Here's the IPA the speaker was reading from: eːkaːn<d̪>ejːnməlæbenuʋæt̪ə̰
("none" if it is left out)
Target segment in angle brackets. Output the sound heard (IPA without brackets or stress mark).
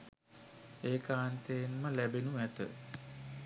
t̪